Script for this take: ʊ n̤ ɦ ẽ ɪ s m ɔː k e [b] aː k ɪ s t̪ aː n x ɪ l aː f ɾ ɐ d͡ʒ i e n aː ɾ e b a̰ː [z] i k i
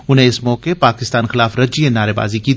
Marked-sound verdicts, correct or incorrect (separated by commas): incorrect, correct